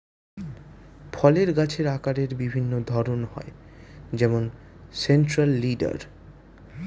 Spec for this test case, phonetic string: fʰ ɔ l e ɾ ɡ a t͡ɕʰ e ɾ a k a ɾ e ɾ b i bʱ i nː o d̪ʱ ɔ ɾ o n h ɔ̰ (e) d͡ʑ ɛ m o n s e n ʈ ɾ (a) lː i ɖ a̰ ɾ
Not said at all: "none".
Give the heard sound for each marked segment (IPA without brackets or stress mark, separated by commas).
e, a